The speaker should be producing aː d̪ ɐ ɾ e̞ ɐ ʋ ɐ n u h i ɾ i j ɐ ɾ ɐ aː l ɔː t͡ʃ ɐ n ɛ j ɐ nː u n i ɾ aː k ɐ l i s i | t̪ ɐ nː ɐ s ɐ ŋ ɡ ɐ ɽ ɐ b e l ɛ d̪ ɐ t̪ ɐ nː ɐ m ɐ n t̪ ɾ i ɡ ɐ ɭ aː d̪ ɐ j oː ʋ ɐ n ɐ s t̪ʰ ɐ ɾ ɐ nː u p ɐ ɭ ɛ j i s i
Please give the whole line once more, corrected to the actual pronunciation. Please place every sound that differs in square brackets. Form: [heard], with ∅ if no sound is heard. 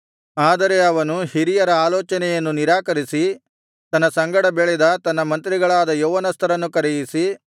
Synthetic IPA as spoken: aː d̪ ɐ ɾ e̞ ɐ ʋ ɐ n u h i ɾ i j ɐ ɾ ɐ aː l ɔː t͡ʃ ɐ n ɛ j ɐ nː u n i ɾ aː k ɐ [ɾ] i s i | t̪ ɐ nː ɐ s ɐ ŋ ɡ ɐ ɽ ɐ b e [ɭ] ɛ d̪ ɐ t̪ ɐ nː ɐ m ɐ n t̪ ɾ i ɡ ɐ ɭ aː d̪ ɐ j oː ʋ ɐ n ɐ s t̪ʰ ɐ ɾ ɐ nː u [k] ɐ [ɾ] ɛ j i s i